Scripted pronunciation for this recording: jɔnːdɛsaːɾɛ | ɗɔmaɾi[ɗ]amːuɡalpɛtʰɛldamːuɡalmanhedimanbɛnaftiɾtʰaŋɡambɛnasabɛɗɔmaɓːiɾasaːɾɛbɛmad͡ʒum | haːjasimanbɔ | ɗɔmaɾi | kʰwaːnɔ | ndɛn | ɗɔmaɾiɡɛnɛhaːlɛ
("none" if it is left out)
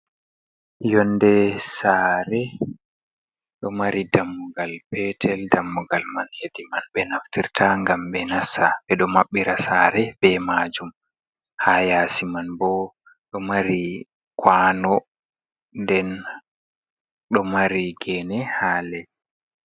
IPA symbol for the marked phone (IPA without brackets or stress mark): d